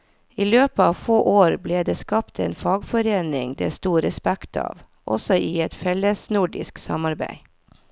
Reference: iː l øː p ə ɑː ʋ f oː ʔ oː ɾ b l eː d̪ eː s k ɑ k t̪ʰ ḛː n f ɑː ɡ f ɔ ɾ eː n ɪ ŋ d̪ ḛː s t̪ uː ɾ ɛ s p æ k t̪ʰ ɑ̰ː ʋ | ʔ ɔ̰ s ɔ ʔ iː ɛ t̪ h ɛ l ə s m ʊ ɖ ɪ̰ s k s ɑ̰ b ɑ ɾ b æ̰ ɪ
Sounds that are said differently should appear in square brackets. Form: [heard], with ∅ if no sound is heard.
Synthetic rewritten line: iː l øː p ə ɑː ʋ f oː ʔ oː ɾ b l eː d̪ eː s k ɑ [p] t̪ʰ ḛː n f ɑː ɡ f ɔ ɾ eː n ɪ ŋ d̪ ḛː s t̪ uː ɾ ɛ s p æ k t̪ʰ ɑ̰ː ʋ | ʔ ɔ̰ s ɔ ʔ iː ɛ t̪ [f] ɛ l ə s [n] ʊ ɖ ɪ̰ s k s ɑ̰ [m] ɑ ɾ b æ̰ ɪ